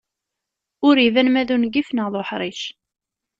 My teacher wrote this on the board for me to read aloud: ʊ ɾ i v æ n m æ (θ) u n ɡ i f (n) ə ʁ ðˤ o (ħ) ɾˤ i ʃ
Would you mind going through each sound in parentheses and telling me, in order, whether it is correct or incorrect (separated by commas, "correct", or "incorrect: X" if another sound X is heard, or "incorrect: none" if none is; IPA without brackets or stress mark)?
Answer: incorrect: ð, correct, correct